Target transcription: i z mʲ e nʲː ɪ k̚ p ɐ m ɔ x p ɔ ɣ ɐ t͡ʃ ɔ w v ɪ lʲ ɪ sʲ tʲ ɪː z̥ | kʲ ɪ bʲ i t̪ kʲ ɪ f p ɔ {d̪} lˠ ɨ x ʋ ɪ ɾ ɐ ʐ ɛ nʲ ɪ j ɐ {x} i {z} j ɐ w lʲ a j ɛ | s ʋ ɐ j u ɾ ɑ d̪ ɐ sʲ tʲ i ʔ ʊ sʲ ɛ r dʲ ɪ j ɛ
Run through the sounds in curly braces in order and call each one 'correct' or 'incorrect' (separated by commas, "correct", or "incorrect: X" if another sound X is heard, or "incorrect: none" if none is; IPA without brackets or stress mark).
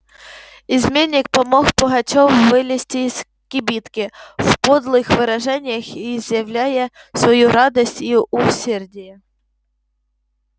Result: correct, correct, correct